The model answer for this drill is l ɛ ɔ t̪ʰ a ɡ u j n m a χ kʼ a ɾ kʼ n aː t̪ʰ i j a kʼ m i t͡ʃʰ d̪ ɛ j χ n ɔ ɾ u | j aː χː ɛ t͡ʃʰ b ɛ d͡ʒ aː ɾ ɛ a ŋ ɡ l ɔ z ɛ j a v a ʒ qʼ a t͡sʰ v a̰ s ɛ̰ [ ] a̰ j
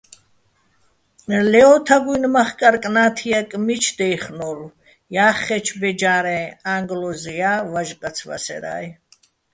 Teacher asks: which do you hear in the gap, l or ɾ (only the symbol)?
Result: ɾ